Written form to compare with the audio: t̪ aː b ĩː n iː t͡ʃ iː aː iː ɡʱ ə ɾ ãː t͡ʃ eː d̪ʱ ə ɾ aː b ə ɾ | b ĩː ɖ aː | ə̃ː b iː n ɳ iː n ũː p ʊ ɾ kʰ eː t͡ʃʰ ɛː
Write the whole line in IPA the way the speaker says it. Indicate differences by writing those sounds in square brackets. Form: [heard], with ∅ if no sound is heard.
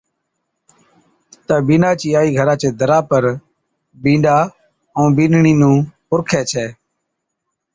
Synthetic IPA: t̪ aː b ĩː n [aː] t͡ʃ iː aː iː ɡʱ ə ɾ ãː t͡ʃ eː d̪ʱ ə ɾ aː [p] ə ɾ | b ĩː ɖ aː | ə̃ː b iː n ɳ iː n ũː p ʊ ɾ kʰ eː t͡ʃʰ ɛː